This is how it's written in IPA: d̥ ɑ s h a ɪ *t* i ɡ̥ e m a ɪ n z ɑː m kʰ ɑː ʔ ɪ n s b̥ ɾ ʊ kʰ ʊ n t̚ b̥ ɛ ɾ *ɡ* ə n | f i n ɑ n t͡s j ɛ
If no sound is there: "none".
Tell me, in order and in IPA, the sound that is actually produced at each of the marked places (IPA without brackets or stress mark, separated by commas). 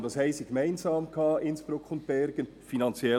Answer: s, ɡ